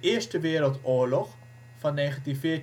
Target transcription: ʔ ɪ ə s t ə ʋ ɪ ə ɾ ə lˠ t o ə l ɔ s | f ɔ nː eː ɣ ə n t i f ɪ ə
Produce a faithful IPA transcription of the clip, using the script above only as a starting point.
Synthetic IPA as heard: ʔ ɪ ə s t ə ʋ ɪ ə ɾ ə lˠ t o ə l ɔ x | f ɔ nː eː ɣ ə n t i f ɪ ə